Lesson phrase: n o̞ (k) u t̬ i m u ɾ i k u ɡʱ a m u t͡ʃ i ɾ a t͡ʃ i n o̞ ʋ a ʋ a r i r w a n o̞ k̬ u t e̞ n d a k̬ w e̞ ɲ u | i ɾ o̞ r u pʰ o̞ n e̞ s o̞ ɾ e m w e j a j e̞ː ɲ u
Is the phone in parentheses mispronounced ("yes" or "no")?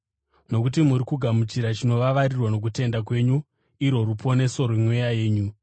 no